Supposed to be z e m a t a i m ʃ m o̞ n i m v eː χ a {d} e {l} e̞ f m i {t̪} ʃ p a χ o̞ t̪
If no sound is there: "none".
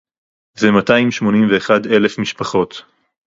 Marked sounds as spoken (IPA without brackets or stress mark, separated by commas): d, l, none